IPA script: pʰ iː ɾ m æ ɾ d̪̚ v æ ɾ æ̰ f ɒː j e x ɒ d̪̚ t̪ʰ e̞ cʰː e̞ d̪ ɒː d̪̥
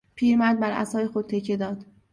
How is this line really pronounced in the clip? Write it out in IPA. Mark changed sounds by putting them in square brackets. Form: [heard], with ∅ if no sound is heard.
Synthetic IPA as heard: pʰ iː ɾ m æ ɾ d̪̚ [b] æ ɾ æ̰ [s] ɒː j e x [o] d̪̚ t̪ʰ e̞ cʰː e̞ d̪ ɒː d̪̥